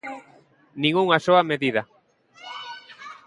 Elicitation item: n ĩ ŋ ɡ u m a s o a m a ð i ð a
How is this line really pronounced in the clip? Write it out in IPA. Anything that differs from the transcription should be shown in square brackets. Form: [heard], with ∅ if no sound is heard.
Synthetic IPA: n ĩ ŋ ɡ u [ŋ] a s o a m [e] ð i ð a